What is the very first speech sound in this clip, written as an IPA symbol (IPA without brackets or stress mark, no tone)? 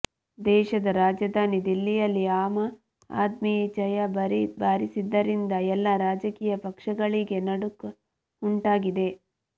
d̪